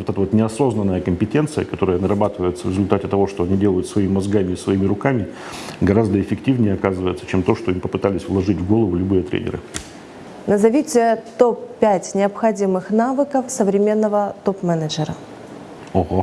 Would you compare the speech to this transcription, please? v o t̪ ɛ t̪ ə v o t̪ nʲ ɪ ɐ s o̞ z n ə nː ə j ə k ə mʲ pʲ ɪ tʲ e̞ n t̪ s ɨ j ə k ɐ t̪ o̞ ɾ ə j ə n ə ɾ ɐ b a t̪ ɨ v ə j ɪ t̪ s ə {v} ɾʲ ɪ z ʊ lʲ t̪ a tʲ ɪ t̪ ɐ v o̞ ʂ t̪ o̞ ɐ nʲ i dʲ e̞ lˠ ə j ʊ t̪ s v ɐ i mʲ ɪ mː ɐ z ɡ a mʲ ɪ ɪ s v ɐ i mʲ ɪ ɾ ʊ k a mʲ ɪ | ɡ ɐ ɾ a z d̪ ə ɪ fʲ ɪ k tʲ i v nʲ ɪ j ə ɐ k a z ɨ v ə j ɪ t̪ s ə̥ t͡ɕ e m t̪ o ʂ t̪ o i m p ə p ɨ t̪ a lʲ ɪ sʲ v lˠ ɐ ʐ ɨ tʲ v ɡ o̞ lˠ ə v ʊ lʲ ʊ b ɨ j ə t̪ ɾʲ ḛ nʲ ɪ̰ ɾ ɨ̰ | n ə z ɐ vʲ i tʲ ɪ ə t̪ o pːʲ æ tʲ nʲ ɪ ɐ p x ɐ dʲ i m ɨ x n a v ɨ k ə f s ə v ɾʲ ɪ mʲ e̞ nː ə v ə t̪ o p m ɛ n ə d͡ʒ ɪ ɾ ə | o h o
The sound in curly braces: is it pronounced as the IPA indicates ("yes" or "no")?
yes